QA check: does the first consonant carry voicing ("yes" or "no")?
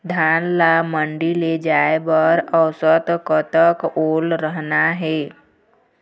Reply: yes